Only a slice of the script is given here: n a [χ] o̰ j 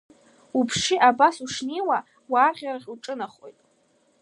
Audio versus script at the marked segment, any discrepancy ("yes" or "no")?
no